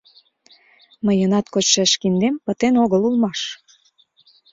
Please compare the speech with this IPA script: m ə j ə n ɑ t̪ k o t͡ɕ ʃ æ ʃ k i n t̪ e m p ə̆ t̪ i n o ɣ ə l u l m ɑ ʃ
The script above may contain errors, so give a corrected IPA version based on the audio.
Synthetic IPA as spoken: m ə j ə n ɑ t̪ k o t͡ɕ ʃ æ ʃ k i n d̪ e m p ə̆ t̪ e n o ɣ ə l u l m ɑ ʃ